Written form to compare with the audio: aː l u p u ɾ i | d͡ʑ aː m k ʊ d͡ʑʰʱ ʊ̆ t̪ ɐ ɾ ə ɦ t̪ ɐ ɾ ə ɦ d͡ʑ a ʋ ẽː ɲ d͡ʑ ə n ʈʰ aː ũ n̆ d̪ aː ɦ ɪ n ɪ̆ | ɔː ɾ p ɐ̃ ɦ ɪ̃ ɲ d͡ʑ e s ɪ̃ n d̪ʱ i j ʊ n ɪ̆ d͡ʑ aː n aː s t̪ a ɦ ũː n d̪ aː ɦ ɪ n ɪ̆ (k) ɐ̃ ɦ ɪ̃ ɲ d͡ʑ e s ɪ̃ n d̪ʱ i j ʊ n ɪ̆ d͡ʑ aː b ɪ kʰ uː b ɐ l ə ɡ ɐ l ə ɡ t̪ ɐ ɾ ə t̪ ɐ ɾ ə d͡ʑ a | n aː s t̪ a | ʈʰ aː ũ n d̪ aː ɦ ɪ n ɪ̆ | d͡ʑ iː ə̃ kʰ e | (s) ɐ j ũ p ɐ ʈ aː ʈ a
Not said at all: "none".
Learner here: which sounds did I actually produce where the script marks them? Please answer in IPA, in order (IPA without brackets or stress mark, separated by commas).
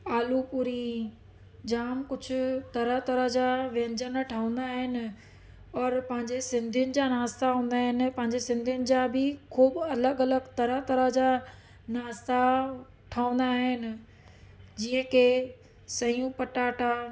p, s